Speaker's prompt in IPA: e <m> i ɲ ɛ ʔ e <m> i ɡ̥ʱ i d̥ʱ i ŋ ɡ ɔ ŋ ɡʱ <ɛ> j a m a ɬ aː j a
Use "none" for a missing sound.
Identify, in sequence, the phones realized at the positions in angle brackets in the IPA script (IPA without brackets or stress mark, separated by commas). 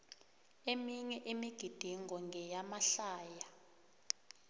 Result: m, m, ɛ